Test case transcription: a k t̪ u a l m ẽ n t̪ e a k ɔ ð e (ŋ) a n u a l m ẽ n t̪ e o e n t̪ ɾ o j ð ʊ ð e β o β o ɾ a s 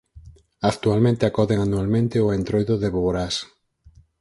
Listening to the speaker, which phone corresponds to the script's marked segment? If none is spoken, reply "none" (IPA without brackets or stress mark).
ŋ